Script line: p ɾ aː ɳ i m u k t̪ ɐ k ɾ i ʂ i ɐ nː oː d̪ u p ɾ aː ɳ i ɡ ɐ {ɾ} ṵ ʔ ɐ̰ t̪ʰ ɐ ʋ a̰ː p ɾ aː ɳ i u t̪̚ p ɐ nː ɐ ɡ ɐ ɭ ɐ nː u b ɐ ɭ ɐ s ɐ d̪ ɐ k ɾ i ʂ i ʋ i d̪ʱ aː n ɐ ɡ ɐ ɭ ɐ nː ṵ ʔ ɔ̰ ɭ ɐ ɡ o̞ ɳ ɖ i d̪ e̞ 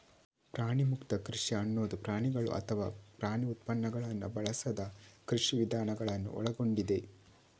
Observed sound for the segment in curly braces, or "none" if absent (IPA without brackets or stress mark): ɭ